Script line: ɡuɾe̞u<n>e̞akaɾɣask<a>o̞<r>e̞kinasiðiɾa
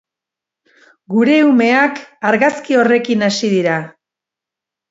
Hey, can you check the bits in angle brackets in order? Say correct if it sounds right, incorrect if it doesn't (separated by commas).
incorrect, incorrect, correct